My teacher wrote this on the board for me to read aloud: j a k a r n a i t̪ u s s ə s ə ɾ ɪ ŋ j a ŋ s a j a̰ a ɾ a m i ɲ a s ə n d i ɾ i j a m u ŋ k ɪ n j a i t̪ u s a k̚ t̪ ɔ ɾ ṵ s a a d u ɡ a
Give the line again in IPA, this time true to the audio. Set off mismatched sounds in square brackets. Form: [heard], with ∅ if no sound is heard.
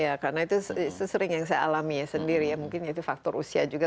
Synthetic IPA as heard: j a k a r n a i t̪ u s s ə s ə ɾ ɪ ŋ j a ŋ s a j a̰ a [l] a m i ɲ a s ə n d i ɾ i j a m u ŋ k ɪ n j a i t̪ u [f] a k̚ t̪ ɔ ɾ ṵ s [i] a [d͡ʒ] u ɡ a

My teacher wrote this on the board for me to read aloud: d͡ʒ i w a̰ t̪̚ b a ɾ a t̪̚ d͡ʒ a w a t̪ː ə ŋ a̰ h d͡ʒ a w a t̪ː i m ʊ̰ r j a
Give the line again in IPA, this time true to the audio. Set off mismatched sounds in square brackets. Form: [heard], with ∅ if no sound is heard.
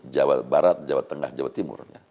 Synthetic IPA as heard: d͡ʒ [a] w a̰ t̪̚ b a ɾ a t̪̚ d͡ʒ a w a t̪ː ə ŋ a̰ h d͡ʒ a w a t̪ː i m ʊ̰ r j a

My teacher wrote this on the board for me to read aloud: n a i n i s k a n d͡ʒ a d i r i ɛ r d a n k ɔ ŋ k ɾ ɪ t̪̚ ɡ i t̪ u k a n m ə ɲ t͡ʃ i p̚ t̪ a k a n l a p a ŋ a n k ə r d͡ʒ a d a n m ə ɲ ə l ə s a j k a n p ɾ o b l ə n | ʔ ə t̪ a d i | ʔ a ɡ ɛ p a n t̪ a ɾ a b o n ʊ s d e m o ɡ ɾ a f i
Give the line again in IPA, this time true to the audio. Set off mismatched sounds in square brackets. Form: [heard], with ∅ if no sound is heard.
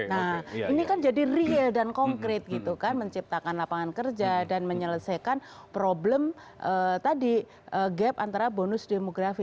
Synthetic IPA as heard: n a i n i [∅] k a n d͡ʒ a d i r i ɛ [l] d a n k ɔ ŋ k ɾ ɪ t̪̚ ɡ i t̪ u k a n m ə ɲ t͡ʃ i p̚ t̪ a k a n l a p a ŋ a n k ə r d͡ʒ a d a n m ə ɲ ə l ə s a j k a n p ɾ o b l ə [m] | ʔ ə t̪ a d i | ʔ [ə] ɡ ɛ p a n t̪ a ɾ a b o n ʊ s d e m o ɡ ɾ a f i

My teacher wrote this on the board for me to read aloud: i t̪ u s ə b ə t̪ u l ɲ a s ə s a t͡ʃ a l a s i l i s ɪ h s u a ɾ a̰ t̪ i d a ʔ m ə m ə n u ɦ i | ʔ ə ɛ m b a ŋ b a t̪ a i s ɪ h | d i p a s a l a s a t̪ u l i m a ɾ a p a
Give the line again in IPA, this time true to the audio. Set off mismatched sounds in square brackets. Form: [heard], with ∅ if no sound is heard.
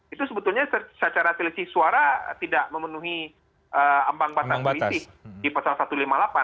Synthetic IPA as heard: i t̪ u s ə b ə t̪ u l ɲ a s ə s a t͡ʃ a [ɾ] a s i l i s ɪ h s u a ɾ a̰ t̪ i d a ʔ m ə m ə n u ɦ i | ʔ ə [a] m b a ŋ b a t̪ a i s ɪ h | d i p a s a l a s a t̪ u l i m a [l] a p a

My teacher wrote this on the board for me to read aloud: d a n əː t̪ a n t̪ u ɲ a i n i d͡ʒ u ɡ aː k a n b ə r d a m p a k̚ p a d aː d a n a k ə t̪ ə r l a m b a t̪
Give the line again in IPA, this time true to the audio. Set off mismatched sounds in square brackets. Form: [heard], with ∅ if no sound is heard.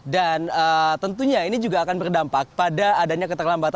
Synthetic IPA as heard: d a n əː t̪ [ə] n t̪ u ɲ a i n i d͡ʒ u ɡ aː k a n b ə r d a m p a k̚ p a d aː d a [ɲ] a k ə t̪ ə r l a m b a t̪

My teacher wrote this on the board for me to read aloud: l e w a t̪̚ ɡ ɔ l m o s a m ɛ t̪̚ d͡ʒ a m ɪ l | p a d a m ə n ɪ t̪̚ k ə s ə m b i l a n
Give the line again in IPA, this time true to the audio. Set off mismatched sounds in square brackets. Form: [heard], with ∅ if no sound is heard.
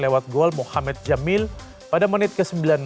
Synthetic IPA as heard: l e w a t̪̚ ɡ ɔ l m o [h] a m ɛ t̪̚ d͡ʒ a m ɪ l | p a d a m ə n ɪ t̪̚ k ə s ə m b i l a n

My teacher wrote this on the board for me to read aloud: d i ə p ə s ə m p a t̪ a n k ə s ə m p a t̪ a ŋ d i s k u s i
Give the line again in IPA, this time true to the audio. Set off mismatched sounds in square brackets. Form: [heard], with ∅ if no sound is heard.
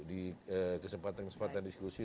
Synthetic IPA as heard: d i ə [k] ə s ə m p a t̪ a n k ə s ə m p a t̪ a [n] d i s k u s i

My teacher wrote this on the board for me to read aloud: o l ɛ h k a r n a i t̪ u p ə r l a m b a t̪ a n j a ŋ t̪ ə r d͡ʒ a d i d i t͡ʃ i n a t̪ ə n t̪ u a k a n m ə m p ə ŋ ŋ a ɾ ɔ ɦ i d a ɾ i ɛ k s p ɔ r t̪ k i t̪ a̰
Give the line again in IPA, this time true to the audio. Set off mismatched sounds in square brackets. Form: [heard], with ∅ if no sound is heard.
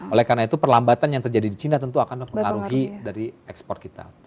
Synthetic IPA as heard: o l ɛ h k a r n a i t̪ u p ə r l a m b a t̪ a n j a ŋ t̪ ə r d͡ʒ a d i d i t͡ʃ i n a t̪ ə n t̪ u a k a n m ə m p ə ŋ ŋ a ɾ [u] ɦ i d a ɾ i ɛ k s p ɔ r t̪ k i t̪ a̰

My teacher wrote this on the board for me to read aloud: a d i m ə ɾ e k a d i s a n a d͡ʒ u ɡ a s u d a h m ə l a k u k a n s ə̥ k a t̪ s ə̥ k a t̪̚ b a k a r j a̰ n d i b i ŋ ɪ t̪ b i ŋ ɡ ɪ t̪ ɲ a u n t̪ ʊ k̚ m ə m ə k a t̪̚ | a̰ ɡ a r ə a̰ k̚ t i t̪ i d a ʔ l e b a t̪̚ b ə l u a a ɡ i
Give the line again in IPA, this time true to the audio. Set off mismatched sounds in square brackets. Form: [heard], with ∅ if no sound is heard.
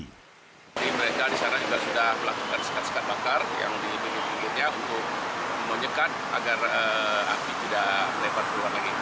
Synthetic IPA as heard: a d i m ə ɾ e k a d i s a n a d͡ʒ u ɡ a s u d a h m ə l a k u k a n s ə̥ k a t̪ s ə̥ k a t̪̚ b a k a r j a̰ [ŋ] d i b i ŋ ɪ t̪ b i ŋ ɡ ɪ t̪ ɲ a u n t̪ ʊ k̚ m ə [ɲ] ə k a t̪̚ | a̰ ɡ a r ə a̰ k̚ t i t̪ i d a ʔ l e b a t̪̚ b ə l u a a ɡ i

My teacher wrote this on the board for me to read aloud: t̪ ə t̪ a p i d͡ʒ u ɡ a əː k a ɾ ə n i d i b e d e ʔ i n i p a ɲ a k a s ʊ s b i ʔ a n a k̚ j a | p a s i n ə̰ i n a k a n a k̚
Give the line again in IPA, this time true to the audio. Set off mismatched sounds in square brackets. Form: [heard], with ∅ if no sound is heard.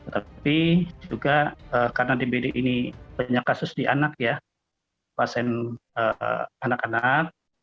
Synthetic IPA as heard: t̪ ə t̪ a p i d͡ʒ u ɡ a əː k a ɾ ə n [a] d i b e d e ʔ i n i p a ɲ a k a s ʊ s [d] i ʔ a n a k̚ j a | p a s [ɛ] n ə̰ [a] n a k a n a k̚

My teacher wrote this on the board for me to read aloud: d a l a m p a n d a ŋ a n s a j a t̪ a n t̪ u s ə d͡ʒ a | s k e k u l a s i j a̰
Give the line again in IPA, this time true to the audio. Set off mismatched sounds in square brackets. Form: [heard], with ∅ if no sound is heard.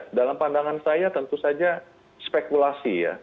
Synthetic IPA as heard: d a l a m p a n d a ŋ a n s a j a t̪ [ə] n t̪ u s [a] d͡ʒ a | s [p] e k u l a s i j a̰

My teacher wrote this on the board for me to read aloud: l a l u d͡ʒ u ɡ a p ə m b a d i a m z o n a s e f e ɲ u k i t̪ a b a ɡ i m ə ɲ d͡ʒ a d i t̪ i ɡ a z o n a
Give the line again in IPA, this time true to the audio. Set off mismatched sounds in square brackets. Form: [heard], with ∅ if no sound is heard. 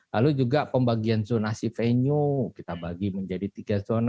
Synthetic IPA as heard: l a l u d͡ʒ u ɡ a p ə m b a [ɡ] i a [n] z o n a s [i] f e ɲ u k i t̪ a b a ɡ i m ə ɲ d͡ʒ a d i t̪ i ɡ a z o n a

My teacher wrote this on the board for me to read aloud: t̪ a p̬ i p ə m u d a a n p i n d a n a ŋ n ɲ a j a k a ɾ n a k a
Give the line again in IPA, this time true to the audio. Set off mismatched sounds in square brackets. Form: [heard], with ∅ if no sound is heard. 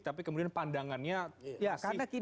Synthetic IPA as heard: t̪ a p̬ i [k] ə m u d [i] a n p [a] n d a [ŋ] a [∅] n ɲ a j a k a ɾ n a k [i]

